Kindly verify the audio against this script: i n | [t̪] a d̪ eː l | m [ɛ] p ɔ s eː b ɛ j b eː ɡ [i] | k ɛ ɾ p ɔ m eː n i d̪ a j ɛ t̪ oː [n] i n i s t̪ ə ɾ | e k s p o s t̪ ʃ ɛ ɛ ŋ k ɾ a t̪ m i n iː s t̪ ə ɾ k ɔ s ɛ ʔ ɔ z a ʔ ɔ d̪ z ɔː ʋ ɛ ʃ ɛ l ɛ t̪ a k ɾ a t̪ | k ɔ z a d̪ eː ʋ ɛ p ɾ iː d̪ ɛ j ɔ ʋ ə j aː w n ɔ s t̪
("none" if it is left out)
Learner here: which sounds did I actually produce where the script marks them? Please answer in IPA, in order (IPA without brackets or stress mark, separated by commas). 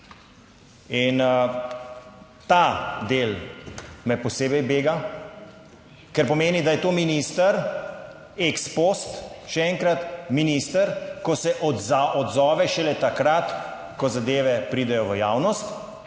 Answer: t̪, ɛ, a, m